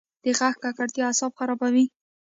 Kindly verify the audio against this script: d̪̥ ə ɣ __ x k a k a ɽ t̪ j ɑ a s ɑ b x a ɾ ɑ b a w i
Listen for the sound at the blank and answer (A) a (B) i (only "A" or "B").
A